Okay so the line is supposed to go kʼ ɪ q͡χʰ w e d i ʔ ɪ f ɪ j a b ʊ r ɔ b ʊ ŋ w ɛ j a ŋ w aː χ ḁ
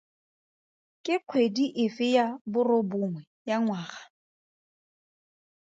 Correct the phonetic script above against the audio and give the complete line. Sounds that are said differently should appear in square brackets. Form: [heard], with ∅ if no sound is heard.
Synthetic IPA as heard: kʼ ɪ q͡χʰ w e d i ʔ ɪ f ɪ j a b ʊ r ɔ b ʊ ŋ w ɛ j a ŋ w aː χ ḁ